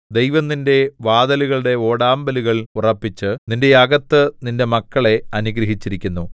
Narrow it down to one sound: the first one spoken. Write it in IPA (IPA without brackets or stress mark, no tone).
d̪